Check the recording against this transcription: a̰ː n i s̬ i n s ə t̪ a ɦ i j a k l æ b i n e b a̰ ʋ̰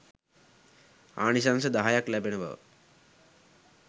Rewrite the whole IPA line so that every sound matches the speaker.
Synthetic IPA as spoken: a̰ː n i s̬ a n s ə d̪ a ɦ a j a k l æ b e n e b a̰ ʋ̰